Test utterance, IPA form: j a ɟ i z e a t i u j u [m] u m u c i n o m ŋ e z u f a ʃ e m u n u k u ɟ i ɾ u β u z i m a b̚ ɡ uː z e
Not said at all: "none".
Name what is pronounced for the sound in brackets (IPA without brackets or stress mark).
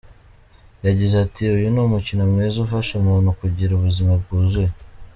n